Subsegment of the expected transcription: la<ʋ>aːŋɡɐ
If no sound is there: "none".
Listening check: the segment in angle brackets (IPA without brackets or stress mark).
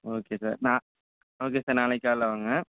ʋ